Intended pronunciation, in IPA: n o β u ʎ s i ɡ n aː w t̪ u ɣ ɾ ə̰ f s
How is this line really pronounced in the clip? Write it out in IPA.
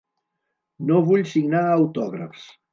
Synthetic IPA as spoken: n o β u ʎ s i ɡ n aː w t̪ ɔ ɣ ɾ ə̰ f s